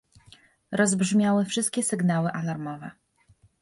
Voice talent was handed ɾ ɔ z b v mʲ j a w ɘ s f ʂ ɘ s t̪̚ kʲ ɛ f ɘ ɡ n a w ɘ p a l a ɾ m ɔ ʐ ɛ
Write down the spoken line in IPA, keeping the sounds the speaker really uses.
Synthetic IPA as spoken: ɾ ɔ z b ʐ mʲ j a w ɘ f ʂ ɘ s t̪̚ kʲ ɛ s ɘ ɡ n a w ɘ ʔ a l a ɾ m ɔ v ɛ